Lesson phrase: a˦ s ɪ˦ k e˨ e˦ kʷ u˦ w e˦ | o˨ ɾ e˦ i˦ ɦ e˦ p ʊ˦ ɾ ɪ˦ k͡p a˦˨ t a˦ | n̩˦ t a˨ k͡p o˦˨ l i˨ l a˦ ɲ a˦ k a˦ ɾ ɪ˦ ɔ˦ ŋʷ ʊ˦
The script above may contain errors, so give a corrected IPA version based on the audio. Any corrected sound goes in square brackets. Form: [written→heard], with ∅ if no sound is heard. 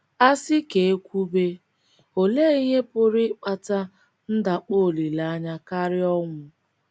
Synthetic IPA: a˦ s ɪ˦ k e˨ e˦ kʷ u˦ [w→b] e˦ | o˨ [ɾ→l] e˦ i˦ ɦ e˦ p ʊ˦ ɾ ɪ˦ k͡p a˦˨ t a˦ | n̩˦ [t→d] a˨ k͡p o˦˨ l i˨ l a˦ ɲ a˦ k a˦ ɾ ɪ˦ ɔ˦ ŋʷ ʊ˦